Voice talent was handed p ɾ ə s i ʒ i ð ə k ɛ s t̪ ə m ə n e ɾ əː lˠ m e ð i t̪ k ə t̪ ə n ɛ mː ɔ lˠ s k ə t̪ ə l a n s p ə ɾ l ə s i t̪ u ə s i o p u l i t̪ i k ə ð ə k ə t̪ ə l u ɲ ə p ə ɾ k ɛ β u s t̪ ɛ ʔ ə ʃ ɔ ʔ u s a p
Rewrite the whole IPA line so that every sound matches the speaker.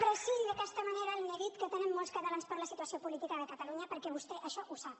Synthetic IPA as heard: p ɾ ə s i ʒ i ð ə k ɛ s t̪ ə m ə n e ɾ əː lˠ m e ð i t̪ k ə t̪ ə n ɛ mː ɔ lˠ s k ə t̪ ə l a n s p ə ɾ l ə s i t̪ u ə s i o p u l i t̪ i k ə ð ə k ə t̪ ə l u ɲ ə p ə ɾ k ɛ β u s t̪ ɛ ʔ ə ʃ ɔ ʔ u s a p